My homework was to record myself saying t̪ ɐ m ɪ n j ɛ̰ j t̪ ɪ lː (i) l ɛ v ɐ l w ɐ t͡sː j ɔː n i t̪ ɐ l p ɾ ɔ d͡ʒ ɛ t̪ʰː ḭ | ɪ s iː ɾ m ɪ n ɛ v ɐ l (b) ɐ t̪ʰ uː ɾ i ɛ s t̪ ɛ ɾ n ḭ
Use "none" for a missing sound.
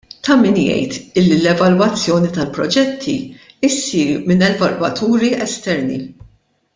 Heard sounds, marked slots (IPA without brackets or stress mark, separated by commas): i, w